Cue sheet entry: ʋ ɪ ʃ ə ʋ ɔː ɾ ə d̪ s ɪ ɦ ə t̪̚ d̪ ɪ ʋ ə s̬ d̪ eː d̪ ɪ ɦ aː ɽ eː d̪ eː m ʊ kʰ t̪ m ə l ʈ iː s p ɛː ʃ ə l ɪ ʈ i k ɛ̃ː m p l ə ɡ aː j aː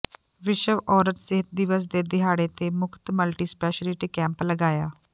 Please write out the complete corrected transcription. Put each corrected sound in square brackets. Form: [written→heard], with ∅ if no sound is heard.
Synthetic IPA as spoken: ʋ ɪ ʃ ə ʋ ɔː ɾ ə [d̪→t̪] s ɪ ɦ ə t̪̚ d̪ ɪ ʋ ə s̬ d̪ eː d̪ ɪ ɦ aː ɽ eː [d̪→t̪] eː m ʊ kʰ t̪ m ə l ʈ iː s p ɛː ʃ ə l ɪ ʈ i k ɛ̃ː m p l ə ɡ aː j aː